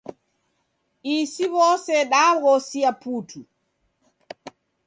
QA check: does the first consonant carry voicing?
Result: no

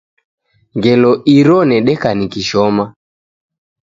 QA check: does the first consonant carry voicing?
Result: yes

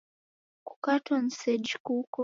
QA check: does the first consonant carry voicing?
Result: no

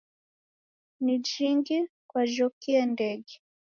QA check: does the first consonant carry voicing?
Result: yes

